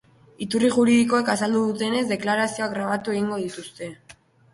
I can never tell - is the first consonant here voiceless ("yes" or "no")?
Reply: yes